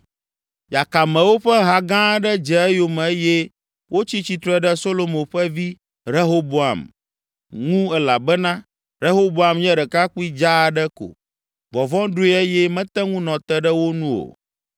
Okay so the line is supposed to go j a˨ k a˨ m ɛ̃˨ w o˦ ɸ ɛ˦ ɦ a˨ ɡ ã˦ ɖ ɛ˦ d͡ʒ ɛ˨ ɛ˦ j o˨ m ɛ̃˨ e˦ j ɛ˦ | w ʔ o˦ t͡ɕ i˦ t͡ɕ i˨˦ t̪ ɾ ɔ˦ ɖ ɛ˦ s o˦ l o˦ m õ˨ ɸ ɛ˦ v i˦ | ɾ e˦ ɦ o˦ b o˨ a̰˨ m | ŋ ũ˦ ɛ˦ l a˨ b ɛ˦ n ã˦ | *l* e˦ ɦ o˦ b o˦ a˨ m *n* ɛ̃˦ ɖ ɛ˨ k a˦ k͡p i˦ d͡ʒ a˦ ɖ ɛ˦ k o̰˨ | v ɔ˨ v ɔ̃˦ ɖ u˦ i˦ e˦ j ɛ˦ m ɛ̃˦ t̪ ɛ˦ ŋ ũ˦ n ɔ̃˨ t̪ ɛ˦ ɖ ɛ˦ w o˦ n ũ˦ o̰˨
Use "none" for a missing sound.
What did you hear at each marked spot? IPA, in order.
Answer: ɾ, ɲ

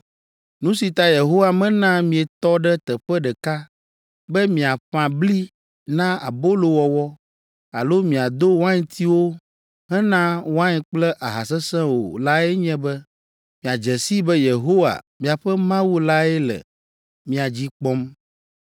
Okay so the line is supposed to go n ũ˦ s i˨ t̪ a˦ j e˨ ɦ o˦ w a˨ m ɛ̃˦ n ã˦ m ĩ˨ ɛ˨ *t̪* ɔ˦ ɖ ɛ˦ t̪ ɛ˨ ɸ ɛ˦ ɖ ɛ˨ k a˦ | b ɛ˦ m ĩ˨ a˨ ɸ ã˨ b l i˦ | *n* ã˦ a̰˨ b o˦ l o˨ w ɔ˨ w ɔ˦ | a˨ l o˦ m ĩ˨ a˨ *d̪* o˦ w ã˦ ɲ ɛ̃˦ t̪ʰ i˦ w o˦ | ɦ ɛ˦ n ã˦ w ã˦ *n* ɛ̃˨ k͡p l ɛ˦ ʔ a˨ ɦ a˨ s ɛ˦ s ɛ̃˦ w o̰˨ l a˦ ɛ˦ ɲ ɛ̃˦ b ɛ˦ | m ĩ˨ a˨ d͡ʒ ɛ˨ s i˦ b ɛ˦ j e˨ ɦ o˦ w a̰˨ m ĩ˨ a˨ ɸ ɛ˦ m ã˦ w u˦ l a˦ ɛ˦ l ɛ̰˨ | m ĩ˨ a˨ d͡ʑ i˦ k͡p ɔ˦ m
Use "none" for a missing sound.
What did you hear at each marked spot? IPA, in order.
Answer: t̪, n, d̪, ɲ

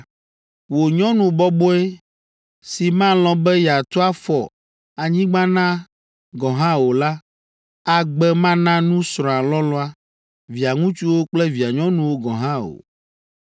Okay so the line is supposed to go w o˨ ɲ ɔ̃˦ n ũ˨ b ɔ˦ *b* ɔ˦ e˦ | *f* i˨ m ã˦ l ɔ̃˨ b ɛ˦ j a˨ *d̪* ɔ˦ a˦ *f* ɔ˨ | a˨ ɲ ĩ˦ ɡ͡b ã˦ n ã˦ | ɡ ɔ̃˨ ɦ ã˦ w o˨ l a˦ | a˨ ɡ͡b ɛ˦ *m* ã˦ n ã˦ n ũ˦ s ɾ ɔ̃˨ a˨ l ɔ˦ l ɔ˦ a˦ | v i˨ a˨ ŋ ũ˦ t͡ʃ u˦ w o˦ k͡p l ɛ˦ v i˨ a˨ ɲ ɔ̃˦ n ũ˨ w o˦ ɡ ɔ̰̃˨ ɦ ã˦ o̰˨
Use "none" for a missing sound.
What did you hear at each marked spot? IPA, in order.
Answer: b, s, t̪, f, m

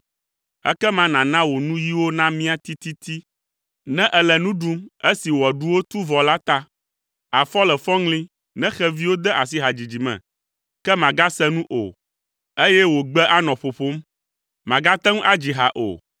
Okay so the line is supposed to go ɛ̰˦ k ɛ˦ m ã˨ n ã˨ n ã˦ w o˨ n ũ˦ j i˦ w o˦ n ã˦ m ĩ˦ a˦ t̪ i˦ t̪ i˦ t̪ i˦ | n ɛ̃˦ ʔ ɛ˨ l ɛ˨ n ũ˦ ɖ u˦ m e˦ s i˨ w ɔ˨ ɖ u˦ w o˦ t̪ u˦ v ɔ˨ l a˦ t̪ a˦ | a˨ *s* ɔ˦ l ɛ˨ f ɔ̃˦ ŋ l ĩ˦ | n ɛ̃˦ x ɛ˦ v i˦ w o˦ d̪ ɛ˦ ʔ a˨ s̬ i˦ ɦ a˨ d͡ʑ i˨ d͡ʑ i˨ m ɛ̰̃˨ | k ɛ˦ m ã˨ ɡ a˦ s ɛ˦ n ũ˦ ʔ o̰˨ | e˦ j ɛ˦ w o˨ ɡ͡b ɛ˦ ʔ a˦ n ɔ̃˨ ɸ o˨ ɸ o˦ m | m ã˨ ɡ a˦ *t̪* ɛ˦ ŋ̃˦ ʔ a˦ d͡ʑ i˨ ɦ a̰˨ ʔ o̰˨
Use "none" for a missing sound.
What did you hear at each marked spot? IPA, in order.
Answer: f, t̪

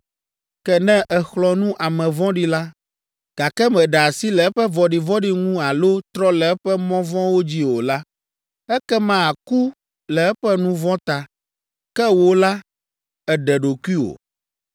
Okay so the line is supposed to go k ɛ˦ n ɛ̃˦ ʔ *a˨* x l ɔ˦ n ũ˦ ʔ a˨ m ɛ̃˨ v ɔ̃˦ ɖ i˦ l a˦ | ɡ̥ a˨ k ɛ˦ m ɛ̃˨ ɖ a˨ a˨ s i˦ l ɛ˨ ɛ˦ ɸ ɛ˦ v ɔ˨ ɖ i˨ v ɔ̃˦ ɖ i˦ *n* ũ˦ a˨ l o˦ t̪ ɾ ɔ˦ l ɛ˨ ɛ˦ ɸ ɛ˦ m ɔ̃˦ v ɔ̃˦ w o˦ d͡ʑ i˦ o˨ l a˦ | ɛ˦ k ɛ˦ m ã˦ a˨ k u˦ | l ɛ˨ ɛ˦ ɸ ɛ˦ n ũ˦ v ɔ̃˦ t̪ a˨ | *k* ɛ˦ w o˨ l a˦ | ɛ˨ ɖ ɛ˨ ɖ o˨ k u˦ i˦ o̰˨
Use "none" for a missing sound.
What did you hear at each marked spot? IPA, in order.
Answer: ɛ˨, ŋ, k

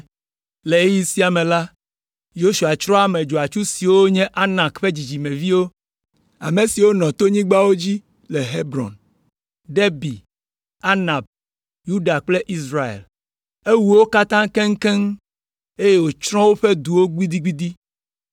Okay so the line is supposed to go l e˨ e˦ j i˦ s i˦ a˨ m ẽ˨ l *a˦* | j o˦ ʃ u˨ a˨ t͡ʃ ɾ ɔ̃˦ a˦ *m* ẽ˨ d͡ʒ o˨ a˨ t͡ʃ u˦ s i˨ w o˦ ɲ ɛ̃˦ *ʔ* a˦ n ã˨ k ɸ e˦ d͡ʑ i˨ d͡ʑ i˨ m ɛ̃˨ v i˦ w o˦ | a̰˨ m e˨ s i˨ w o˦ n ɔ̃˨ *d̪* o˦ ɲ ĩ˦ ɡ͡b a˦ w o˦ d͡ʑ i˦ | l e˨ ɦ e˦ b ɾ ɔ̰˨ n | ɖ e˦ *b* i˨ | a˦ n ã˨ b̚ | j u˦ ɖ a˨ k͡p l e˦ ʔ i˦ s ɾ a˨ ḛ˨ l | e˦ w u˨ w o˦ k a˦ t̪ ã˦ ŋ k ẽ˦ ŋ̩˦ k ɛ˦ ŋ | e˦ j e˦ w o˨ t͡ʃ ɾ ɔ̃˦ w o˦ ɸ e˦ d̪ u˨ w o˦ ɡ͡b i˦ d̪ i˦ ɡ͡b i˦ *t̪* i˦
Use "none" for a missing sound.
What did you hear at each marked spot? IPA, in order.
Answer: a˦, m, ʔ, t̪, b, d̪

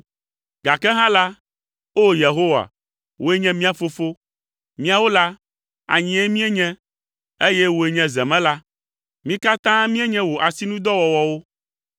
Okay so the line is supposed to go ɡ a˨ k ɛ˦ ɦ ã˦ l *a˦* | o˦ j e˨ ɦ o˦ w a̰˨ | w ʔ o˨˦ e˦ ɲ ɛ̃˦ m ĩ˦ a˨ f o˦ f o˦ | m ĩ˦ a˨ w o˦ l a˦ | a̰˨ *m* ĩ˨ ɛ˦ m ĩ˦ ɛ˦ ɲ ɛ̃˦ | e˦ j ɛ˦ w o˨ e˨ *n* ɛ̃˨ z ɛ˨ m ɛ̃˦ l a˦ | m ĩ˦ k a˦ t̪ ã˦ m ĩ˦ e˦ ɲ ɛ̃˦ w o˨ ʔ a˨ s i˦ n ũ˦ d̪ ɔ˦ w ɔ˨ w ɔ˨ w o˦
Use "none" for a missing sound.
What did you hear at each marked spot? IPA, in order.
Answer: a˦, ɲ, ɲ

